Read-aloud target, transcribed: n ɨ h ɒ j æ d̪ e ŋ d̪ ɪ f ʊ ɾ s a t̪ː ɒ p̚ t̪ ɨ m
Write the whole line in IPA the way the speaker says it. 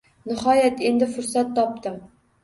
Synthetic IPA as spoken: n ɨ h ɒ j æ t̪ e n d̪ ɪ f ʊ ɾ s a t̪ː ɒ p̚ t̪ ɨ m